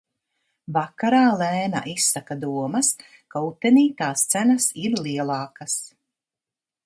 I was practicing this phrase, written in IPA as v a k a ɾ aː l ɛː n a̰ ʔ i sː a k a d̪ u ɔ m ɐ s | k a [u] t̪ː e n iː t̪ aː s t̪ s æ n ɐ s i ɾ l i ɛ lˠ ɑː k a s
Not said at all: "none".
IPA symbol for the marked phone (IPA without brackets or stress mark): u